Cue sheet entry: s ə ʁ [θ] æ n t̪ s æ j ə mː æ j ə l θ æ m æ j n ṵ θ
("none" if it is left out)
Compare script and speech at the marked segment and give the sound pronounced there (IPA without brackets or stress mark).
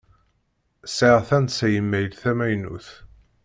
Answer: θ